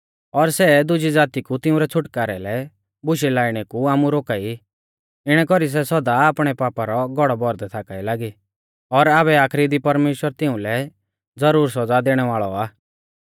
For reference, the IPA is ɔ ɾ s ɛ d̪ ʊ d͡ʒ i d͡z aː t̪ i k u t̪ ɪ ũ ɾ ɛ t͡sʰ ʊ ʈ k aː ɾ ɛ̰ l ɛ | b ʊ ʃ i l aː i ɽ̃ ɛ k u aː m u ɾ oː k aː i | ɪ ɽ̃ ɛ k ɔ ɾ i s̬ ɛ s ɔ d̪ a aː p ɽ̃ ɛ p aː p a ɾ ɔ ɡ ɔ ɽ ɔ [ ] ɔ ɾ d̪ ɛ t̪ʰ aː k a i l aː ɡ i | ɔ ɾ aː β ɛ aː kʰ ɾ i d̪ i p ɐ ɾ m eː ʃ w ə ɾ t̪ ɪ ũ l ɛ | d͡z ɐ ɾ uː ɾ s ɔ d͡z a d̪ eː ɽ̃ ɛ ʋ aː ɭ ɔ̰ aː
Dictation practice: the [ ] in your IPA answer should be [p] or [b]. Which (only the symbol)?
b